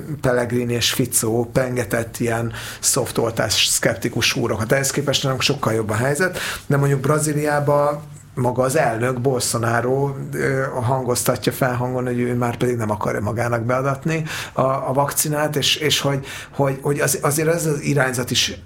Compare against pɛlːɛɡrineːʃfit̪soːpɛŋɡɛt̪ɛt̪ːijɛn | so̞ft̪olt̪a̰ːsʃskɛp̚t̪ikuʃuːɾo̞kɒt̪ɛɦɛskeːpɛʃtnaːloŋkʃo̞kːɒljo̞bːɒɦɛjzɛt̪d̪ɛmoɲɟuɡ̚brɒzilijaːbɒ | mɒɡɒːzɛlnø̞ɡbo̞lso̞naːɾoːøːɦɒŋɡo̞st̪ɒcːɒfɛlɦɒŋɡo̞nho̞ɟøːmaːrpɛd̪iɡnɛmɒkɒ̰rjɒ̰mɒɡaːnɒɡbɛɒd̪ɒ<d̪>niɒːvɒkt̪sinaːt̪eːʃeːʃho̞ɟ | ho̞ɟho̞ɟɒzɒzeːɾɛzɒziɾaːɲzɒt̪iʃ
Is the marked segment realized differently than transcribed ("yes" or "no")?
yes